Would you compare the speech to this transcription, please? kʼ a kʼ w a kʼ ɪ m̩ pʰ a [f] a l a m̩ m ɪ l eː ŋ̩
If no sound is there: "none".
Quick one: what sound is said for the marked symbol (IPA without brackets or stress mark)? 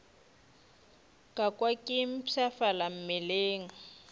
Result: f